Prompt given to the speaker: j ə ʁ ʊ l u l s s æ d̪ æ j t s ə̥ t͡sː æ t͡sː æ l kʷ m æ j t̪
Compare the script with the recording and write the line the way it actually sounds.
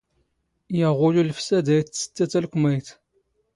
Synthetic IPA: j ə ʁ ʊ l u l f s æ d̪ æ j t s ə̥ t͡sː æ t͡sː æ l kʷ m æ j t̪